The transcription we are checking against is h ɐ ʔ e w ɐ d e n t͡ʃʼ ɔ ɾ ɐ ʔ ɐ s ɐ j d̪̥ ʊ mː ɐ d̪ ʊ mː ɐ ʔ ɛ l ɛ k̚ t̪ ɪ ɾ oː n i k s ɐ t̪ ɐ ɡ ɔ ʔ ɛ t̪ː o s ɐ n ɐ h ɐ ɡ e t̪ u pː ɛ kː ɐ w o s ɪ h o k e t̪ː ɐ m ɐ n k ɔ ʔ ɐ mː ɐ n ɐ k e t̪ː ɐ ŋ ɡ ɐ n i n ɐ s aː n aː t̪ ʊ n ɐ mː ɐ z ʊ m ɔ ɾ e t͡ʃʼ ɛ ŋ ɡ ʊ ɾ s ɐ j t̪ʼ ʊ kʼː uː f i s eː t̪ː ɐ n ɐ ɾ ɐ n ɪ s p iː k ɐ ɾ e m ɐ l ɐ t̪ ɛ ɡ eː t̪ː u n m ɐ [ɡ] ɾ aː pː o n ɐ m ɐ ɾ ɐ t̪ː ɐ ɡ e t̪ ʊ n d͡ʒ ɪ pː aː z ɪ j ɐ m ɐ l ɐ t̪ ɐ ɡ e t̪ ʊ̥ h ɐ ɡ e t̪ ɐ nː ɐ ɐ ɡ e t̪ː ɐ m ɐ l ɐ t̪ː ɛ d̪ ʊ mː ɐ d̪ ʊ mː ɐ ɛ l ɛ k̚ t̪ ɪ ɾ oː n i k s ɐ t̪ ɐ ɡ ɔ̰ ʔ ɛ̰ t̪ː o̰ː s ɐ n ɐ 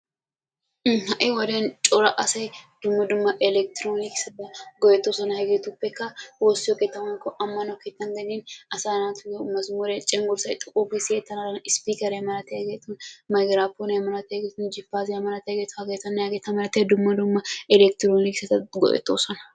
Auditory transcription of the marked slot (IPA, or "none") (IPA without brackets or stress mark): ɡ